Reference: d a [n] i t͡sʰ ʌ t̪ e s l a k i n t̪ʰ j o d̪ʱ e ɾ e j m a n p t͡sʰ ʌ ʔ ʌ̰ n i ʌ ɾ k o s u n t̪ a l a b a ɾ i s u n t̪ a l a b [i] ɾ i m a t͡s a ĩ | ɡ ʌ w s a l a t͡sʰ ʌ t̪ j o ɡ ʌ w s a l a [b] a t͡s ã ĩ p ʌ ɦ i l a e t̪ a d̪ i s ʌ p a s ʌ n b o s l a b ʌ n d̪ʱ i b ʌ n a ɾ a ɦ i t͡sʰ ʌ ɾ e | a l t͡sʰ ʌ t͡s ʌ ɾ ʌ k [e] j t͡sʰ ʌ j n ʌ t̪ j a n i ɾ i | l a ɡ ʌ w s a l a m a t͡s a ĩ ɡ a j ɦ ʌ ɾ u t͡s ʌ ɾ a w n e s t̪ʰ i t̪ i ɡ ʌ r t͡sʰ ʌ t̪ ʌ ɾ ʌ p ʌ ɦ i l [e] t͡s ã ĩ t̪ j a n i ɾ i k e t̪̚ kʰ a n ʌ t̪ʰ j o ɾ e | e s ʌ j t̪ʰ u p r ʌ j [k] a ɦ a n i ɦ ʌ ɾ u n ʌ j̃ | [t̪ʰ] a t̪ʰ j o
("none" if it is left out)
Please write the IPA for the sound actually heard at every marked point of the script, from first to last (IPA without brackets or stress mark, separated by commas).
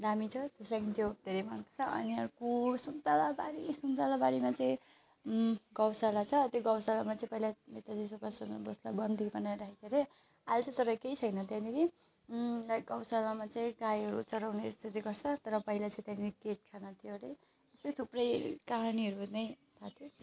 m, a, m, e, a, k, t̪ʰ